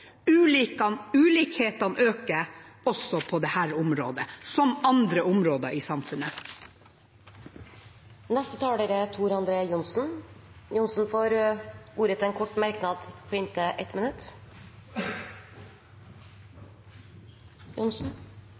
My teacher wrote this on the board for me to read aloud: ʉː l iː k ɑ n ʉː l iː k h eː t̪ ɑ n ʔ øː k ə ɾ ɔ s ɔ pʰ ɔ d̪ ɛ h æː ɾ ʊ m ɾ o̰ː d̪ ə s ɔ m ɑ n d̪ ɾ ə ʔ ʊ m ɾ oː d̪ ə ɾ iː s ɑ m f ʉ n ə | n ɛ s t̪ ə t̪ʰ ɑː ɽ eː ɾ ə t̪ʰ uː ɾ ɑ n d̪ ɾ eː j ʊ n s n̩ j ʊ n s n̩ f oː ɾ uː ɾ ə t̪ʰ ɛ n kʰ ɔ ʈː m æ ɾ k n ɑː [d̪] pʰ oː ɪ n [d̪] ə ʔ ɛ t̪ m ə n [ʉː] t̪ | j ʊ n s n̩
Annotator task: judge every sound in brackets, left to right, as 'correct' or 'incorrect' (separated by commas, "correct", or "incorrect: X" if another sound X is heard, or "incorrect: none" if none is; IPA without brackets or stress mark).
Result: correct, incorrect: t̪, incorrect: ʉ